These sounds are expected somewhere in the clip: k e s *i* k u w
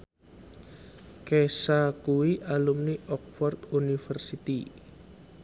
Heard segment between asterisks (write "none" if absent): a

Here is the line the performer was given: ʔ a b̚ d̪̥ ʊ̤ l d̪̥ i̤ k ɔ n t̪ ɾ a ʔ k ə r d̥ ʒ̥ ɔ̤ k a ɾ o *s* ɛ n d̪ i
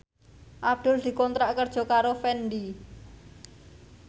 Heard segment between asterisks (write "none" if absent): f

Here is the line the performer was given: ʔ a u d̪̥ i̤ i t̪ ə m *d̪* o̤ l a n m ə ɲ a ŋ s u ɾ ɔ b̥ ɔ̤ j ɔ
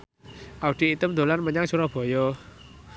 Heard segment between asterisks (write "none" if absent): d̪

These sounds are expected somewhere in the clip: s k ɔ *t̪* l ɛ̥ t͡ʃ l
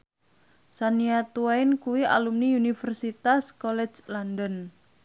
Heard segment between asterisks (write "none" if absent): none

